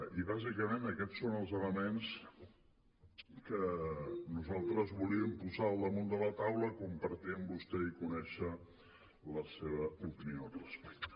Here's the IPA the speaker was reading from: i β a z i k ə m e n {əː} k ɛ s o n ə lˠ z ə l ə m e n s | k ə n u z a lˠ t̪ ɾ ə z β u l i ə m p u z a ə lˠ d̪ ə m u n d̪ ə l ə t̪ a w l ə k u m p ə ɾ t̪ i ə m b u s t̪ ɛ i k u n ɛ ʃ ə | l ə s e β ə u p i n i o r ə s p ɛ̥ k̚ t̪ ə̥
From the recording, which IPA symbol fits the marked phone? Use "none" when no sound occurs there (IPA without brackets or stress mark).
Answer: ə